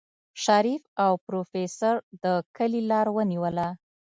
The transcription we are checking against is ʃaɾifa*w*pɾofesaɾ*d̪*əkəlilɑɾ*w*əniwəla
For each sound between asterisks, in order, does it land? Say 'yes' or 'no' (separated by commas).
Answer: yes, yes, yes